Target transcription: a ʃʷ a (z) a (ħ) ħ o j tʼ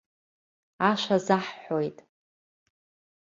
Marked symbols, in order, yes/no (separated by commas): yes, yes